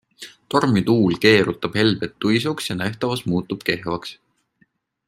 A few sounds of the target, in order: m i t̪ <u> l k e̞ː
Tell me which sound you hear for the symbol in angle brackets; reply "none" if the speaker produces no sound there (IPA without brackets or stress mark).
uː